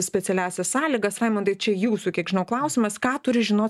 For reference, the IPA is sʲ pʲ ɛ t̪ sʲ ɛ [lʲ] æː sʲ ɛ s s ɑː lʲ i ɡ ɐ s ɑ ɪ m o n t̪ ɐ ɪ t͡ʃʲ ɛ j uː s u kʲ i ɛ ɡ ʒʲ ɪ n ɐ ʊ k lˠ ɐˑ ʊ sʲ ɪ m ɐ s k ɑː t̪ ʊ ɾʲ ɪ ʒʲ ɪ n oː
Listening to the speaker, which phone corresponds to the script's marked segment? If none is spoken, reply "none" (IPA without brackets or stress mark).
lʲ